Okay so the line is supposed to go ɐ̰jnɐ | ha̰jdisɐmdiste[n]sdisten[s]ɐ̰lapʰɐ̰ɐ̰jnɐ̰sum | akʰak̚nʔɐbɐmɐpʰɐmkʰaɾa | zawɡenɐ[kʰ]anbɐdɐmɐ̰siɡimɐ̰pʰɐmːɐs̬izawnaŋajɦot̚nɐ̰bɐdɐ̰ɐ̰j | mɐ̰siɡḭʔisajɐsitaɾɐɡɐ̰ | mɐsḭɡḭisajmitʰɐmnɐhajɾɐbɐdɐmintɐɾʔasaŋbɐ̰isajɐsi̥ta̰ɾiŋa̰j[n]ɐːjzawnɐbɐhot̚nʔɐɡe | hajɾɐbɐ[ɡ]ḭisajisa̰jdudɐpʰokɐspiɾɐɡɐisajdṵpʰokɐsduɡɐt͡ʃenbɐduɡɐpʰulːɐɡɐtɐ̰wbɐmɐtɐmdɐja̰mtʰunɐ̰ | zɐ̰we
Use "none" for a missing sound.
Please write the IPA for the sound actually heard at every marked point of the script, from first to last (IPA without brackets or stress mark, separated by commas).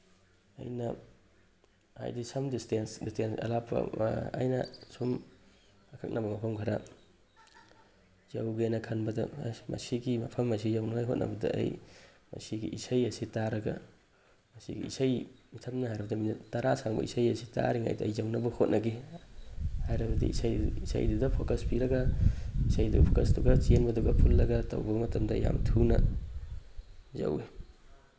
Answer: n, s, kʰ, d, d